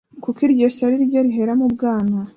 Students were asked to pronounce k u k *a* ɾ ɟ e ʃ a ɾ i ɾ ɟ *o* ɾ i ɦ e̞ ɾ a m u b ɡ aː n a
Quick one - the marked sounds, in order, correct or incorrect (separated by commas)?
incorrect, correct